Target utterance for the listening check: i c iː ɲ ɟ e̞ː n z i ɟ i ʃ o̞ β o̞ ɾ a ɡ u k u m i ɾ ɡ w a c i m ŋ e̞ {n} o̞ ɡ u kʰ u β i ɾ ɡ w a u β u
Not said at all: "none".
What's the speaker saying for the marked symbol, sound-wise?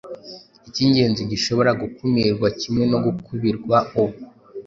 n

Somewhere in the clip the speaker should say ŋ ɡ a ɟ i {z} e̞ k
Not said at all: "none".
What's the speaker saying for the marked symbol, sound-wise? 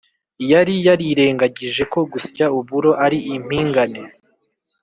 ʒ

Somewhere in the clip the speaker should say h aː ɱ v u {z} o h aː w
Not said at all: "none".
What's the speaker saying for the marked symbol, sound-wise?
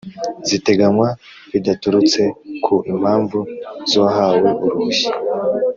z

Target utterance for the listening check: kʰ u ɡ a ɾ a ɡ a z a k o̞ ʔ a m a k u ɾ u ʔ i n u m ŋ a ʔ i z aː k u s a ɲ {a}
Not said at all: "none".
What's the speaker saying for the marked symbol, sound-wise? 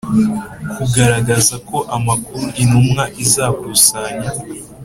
a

